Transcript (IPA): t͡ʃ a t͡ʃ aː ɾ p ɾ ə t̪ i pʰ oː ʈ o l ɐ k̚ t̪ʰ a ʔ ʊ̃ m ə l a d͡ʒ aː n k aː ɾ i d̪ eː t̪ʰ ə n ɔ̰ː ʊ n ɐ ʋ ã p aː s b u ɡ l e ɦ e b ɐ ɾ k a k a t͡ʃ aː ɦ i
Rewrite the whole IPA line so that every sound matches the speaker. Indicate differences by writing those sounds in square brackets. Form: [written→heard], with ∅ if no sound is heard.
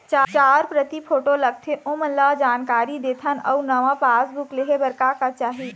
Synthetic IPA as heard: t͡ʃ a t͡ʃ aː ɾ p ɾ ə t̪ i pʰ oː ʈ o l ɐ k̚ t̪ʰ [a→e] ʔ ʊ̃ m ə l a d͡ʒ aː n k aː ɾ i d̪ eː t̪ʰ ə n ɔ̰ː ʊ n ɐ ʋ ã p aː s b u [ɡ→k] l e ɦ e b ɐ ɾ k a k a t͡ʃ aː ɦ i

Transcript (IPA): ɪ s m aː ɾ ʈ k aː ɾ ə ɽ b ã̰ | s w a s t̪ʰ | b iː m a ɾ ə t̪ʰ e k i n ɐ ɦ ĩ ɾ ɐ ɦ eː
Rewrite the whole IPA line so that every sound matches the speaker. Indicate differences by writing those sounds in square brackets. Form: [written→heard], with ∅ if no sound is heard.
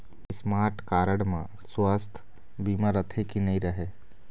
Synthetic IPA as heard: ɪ s m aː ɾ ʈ k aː ɾ ə ɽ [b→m] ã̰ | s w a s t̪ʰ | b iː m a ɾ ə t̪ʰ e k i n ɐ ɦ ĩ ɾ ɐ ɦ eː

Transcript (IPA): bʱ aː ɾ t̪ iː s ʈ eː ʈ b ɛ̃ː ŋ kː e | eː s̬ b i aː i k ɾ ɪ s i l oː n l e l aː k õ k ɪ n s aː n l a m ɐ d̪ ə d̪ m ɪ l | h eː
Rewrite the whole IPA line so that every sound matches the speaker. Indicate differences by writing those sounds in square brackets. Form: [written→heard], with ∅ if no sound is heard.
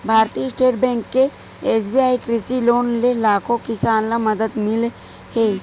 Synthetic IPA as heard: bʱ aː ɾ t̪ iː s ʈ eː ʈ b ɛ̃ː ŋ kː e | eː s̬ b i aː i k ɾ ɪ s i l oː n l e l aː k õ k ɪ [n→∅] s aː n l a m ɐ d̪ ə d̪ m ɪ l | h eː

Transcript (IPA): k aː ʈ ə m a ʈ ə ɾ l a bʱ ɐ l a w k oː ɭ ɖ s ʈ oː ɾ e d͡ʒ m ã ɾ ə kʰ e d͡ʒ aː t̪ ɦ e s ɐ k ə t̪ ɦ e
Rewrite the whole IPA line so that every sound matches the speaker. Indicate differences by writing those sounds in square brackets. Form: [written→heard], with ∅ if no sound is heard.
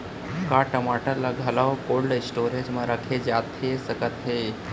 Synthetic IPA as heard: k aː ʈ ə m a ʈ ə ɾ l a [bʱ→ɡʱ] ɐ l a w k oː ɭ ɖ s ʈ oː ɾ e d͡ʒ m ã ɾ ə kʰ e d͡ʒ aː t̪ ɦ e s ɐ k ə t̪ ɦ e

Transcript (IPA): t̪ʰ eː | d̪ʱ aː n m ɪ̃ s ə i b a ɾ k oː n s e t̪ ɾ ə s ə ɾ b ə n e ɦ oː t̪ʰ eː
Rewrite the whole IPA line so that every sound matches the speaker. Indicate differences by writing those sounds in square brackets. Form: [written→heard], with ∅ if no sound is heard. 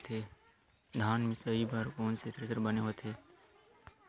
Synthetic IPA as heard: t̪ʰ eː | d̪ʱ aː n m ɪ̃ s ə i b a ɾ k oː n s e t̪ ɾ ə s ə ɾ b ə n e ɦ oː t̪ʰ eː

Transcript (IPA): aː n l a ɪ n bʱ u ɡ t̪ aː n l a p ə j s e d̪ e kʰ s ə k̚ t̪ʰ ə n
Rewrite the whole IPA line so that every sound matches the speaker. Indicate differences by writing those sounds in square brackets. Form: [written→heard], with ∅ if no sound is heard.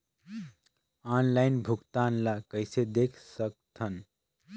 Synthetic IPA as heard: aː n l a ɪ n bʱ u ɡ t̪ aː n l a [p→k] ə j s e d̪ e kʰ s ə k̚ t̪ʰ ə n

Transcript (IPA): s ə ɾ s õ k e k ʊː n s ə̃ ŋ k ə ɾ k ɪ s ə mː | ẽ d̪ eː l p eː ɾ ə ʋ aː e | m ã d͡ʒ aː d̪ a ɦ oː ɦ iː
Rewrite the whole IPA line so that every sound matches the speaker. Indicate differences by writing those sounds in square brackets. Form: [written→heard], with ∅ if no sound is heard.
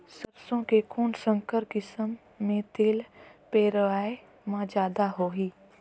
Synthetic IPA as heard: s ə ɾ s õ k e k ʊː n s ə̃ ŋ k ə ɾ k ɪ s ə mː | ẽ [d̪→t̪] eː l p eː ɾ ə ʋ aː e | m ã d͡ʒ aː d̪ a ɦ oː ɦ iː

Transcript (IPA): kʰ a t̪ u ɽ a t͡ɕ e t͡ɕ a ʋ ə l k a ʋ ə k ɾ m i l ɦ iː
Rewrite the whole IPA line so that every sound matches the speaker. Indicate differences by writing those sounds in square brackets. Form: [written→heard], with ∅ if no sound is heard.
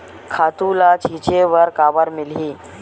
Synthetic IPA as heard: kʰ a t̪ u [ɽ→l] a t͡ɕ [e→i] t͡ɕ [a→e] ʋ ə [l→ɾ] k a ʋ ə [k→∅] ɾ m i l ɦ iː

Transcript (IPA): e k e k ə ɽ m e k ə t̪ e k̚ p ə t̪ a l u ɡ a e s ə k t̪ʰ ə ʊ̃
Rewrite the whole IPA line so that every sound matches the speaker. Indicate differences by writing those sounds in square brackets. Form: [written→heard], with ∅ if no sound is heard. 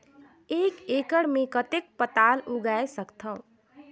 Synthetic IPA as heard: e k e k ə ɽ m e k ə t̪ e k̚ p ə t̪ a l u ɡ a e s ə k t̪ʰ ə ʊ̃

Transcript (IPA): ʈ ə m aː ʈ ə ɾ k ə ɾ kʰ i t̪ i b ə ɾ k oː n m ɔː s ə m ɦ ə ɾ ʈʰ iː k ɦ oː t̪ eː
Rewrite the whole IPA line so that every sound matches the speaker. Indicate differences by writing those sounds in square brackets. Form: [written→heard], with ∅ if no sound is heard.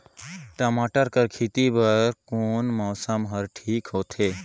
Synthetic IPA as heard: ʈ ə m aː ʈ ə ɾ k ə ɾ kʰ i t̪ i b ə ɾ k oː n m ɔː s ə m ɦ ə ɾ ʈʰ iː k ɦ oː [t̪→t̪ʰ] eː

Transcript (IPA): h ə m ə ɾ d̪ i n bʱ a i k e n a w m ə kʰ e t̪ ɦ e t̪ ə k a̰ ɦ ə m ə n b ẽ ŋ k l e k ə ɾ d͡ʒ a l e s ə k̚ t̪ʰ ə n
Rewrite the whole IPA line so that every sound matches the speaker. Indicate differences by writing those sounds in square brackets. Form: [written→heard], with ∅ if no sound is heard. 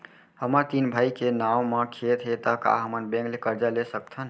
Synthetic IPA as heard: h ə m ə ɾ [d̪→t̪] i n bʱ a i k e n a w m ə kʰ e t̪ ɦ e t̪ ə k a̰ ɦ ə m ə n b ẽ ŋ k l e k ə ɾ d͡ʒ a l e s ə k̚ t̪ʰ ə n

